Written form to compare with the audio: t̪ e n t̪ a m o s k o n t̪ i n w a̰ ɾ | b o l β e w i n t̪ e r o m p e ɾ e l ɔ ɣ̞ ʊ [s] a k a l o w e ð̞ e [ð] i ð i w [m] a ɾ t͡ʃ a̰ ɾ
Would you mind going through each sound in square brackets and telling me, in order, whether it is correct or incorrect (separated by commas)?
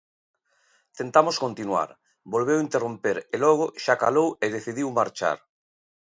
incorrect, incorrect, correct